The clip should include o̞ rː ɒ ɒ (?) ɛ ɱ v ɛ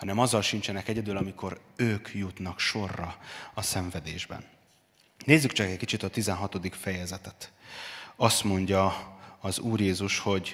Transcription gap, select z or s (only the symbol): s